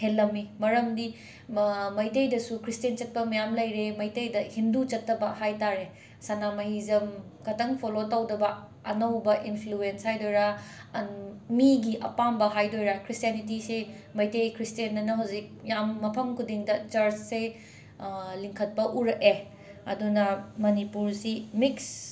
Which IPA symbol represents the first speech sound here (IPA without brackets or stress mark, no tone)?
h